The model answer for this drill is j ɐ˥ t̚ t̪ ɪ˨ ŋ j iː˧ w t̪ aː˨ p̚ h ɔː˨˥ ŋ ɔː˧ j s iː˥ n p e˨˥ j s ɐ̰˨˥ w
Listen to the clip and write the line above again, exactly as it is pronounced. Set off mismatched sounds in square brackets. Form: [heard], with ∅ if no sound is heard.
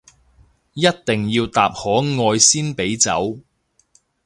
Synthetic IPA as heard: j ɐ˥ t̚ t̪ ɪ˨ ŋ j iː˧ w t̪ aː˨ p̚ h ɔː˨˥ ŋ ɔː˧ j s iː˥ n p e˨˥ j [t͡s] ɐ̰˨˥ w

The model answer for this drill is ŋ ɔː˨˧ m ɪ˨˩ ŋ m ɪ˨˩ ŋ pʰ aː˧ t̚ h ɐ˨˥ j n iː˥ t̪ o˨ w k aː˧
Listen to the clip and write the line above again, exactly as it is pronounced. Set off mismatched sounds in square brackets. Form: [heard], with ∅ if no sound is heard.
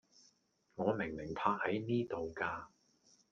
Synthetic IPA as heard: ŋ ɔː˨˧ m ɪ˨˩ ŋ m ɪ˨˩ ŋ pʰ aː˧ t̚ h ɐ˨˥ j n iː˥ t̪ o˨ w k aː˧

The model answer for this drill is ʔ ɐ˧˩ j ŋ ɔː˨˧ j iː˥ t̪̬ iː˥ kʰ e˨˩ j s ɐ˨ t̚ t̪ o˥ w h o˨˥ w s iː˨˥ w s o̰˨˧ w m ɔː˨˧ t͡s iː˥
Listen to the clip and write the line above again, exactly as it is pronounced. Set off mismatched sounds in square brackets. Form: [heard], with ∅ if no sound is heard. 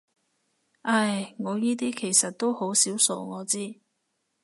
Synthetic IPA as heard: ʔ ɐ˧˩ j ŋ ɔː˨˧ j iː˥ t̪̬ iː˥ kʰ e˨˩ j s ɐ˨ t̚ t̪ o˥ w h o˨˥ w s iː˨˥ w s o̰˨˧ w [ŋ] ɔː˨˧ t͡s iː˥

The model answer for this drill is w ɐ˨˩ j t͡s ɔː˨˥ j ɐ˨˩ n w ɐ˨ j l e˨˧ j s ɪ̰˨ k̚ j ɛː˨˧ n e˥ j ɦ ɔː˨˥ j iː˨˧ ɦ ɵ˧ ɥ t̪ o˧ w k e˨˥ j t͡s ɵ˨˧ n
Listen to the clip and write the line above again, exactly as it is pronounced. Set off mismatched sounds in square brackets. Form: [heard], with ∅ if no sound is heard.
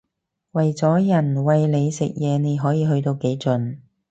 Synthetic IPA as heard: w ɐ˨˩ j t͡s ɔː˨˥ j ɐ˨˩ n w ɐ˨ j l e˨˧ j s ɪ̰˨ k̚ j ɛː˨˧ n [e˨˧] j ɦ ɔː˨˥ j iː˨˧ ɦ ɵ˧ ɥ t̪ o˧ w k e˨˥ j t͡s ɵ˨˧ n

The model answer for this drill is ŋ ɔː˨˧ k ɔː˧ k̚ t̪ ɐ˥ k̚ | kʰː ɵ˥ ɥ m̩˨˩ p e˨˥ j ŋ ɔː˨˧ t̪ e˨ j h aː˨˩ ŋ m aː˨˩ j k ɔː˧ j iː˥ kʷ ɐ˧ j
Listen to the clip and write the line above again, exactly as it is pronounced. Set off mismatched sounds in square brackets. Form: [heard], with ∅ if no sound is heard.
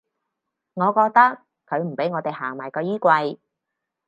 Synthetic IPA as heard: ŋ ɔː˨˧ k ɔː˧ k̚ t̪ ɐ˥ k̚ | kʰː [ɵ˨˧] ɥ m̩˨˩ p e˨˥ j ŋ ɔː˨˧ t̪ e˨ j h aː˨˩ ŋ m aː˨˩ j k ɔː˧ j iː˥ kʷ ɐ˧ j

